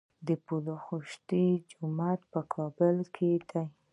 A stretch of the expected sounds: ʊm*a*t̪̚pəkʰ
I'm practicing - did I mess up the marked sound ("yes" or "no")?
no